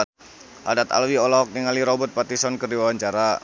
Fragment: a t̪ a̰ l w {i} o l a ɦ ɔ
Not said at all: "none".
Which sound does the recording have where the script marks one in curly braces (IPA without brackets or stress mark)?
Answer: i